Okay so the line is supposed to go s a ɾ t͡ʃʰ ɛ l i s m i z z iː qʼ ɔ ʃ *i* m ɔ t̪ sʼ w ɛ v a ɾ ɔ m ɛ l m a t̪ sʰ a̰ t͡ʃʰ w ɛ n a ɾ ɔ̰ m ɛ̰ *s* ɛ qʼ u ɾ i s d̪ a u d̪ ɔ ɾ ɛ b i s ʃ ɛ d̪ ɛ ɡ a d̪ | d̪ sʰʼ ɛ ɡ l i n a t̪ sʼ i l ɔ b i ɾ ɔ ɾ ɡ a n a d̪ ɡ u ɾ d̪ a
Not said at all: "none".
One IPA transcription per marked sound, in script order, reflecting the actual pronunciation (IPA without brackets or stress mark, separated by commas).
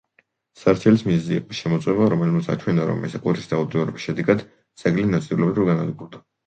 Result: ɛ, s